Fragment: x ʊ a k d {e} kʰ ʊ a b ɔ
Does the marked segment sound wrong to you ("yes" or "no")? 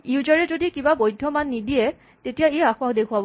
no